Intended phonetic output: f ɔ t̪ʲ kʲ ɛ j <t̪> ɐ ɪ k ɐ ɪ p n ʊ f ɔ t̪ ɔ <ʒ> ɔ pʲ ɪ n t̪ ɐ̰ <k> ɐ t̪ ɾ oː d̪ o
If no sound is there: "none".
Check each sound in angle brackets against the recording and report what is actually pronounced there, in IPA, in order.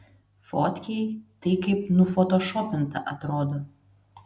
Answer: t̪, ʃ, ʔ

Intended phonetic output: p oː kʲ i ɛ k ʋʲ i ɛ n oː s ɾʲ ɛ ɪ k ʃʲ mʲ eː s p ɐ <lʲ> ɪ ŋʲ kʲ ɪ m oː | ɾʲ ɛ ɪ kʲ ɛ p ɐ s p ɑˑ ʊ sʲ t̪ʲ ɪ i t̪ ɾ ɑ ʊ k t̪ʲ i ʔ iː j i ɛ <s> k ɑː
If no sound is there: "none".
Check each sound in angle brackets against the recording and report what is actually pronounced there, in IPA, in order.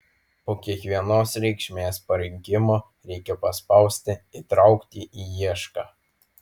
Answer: ɾʲ, ʃ

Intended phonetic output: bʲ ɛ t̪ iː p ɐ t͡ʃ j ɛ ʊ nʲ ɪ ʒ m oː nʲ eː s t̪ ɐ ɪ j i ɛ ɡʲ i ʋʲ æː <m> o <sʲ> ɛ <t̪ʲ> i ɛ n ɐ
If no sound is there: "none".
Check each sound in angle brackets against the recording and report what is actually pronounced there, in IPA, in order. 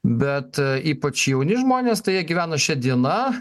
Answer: n, ʃʲ, d̪ʲ

